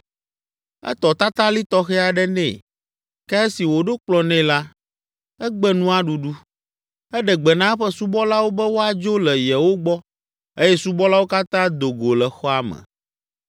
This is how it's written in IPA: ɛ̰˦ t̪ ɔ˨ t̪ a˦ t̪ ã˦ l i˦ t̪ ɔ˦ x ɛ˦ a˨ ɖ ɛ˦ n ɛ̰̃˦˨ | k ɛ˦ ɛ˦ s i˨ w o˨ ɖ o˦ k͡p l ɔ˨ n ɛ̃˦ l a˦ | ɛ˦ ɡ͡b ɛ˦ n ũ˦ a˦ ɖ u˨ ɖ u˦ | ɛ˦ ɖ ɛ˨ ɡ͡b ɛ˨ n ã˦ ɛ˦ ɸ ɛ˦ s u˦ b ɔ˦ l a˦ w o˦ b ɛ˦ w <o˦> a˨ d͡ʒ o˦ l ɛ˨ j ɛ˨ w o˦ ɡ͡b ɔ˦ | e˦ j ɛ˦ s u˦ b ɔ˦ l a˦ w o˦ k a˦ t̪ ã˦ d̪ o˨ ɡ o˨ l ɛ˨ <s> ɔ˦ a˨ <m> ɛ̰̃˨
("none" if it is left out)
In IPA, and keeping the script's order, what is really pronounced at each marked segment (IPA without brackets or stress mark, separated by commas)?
o˦, x, m